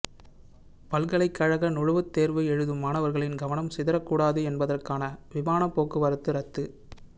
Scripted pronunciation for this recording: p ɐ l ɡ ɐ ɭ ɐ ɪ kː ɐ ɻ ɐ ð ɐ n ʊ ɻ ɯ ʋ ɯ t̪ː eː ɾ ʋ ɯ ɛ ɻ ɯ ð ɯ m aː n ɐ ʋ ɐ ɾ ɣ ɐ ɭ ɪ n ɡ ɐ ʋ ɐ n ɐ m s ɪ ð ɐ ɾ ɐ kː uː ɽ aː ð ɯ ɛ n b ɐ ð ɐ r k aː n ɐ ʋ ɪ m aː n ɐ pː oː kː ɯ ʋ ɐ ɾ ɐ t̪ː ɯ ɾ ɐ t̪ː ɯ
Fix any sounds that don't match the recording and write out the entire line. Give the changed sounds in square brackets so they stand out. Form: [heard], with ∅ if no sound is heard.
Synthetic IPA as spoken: p ɐ l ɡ ɐ ɭ ɐ ɪ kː ɐ ɻ ɐ [ɣ] ɐ n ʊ ɻ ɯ ʋ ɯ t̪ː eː ɾ ʋ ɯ ɛ ɻ ɯ ð ɯ m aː n ɐ ʋ ɐ ɾ ɣ ɐ ɭ ɪ n ɡ ɐ ʋ ɐ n ɐ m s ɪ ð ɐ ɾ ɐ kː uː ɽ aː ð ɯ ɛ n b ɐ ð ɐ r k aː n ɐ ʋ ɪ m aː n ɐ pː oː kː ɯ ʋ ɐ ɾ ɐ t̪ː ɯ ɾ ɐ t̪ː ɯ